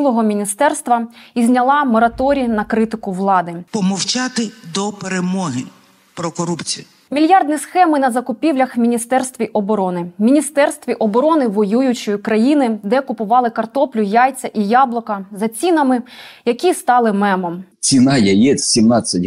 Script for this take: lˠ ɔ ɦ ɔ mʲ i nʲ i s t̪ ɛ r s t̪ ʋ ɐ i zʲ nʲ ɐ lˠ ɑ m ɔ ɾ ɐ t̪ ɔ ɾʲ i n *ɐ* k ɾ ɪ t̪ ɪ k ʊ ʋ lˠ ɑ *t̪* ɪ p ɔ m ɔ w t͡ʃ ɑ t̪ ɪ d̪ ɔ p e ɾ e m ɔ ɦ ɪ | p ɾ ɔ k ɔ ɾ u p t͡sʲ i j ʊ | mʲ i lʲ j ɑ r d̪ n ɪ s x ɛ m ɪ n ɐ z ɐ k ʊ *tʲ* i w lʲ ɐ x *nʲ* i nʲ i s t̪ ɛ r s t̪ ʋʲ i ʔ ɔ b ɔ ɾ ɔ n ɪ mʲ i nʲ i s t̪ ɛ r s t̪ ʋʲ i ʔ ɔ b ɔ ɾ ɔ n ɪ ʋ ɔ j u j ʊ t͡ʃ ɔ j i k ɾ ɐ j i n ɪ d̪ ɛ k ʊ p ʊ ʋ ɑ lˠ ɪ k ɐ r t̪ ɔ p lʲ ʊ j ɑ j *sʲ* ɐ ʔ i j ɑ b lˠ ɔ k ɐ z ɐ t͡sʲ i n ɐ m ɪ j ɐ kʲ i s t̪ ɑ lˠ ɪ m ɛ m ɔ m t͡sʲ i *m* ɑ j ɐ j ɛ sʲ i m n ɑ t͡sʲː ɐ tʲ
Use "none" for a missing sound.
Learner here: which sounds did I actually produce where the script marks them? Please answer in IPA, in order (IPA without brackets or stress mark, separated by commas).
ɐ, d̪, pʲ, mʲ, t͡sʲ, n